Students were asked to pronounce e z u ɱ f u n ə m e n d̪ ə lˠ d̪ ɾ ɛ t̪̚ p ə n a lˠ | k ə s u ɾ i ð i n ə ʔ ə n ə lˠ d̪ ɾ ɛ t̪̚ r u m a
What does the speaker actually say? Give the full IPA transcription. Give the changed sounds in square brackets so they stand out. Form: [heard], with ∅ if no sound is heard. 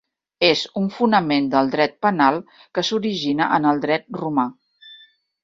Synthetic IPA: e z u ɱ f u n ə m e n d̪ ə lˠ d̪ ɾ ɛ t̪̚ p ə n a lˠ | k ə s u ɾ i [ʒ] i n ə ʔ ə n ə lˠ d̪ ɾ ɛ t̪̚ r u m a